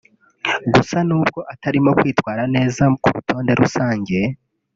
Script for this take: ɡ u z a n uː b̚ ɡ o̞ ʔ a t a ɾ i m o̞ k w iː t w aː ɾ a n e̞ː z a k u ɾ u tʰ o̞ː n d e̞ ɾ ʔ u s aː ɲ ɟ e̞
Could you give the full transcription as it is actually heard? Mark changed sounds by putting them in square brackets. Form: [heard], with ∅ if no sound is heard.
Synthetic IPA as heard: ɡ u [s] a n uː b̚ ɡ o̞ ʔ a t a ɾ i m o̞ k w iː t w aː ɾ a n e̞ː z a k u ɾ u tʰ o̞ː n d e̞ ɾ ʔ u s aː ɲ ɟ e̞